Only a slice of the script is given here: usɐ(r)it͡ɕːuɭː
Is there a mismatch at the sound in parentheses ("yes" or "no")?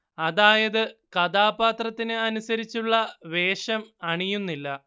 yes